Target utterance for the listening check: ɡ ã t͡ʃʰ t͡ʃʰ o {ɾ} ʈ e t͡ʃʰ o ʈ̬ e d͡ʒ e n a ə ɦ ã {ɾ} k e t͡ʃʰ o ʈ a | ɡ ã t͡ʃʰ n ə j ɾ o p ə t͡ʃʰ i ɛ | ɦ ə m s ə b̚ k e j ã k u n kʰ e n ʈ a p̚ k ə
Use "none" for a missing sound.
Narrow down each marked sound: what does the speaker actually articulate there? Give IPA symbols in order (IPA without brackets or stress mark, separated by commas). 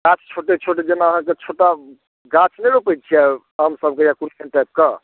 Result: none, none